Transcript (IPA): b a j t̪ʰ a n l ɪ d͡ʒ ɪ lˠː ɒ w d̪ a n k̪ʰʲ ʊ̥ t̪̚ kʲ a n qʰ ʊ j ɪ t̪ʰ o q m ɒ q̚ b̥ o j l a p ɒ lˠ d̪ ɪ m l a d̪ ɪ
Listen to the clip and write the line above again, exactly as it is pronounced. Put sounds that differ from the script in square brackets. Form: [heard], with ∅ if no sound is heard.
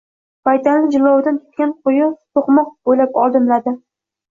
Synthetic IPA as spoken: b a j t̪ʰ a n l ɪ d͡ʒ ɪ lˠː ɒ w d̪ a n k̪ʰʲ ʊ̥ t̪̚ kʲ a n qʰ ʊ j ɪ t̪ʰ o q m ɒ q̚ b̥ o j l a p ɒ lˠ d̪ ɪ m l a d̪ ɪ